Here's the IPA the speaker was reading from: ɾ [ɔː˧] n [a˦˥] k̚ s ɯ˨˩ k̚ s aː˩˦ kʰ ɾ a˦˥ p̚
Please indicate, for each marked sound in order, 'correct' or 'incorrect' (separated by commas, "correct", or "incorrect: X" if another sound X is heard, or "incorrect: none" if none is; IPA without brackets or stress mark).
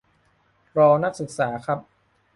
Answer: correct, correct